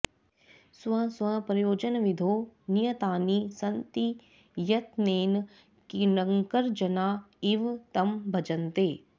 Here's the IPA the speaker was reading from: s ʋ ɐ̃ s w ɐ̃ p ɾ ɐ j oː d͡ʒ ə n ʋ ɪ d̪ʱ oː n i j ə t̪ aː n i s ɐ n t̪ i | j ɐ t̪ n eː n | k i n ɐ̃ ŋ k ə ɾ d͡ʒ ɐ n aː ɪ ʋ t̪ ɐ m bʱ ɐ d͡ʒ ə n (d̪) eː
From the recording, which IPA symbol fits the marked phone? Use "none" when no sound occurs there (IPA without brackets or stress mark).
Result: t̪